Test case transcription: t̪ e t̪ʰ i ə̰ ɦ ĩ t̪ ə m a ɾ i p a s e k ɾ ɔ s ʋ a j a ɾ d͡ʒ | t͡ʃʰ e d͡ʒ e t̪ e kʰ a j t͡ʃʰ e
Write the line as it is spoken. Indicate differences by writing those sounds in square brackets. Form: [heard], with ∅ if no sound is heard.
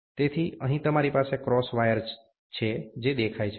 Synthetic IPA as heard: t̪ e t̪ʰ i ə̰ ɦ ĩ t̪ ə m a ɾ i p a s e k ɾ ɔ s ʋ a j [ə] ɾ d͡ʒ | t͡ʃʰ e d͡ʒ e [d̪] e kʰ a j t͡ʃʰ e